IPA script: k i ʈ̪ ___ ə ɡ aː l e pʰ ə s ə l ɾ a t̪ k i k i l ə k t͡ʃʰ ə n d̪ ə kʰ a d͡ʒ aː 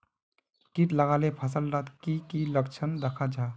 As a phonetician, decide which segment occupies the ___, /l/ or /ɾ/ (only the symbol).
l